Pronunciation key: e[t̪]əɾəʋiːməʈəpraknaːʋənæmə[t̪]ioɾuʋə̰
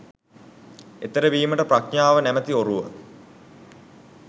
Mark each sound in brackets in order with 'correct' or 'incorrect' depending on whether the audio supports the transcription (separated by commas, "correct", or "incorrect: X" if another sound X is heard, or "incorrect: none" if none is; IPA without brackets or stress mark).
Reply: correct, correct